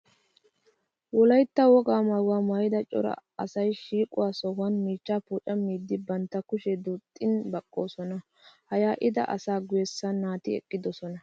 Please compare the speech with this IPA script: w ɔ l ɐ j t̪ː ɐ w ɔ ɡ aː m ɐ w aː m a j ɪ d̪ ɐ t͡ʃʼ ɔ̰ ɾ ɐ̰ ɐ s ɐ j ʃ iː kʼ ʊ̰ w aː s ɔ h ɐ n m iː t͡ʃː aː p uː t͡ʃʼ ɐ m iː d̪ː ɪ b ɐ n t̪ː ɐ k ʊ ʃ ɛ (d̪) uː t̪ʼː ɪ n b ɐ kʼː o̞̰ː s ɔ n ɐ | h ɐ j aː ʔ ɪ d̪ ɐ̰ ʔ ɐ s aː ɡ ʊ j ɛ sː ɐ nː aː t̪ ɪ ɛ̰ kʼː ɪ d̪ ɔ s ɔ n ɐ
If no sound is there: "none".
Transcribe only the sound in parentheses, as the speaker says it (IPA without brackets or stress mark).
d̪